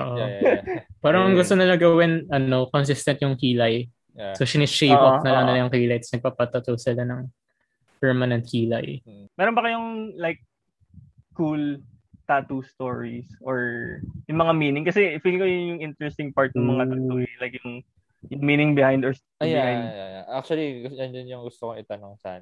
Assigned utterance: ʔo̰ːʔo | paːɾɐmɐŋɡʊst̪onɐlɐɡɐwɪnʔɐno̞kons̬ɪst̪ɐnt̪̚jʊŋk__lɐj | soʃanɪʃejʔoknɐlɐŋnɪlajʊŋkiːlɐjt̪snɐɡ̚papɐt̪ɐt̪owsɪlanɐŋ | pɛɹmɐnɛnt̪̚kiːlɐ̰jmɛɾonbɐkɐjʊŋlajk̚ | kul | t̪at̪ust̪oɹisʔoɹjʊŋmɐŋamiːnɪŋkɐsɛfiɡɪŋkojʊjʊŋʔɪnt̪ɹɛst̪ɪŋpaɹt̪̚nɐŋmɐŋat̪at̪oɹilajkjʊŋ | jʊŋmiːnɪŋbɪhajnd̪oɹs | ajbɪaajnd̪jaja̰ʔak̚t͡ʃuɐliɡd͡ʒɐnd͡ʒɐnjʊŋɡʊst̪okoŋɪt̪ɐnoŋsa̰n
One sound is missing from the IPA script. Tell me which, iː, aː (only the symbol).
iː